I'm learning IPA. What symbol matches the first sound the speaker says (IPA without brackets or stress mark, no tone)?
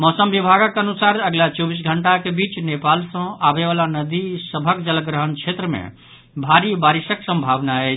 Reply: m